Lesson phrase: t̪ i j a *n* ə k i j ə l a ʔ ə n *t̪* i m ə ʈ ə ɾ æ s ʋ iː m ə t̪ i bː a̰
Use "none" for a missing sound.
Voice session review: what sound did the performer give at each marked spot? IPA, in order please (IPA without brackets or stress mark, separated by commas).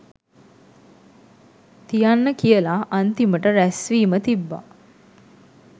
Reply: nː, t̪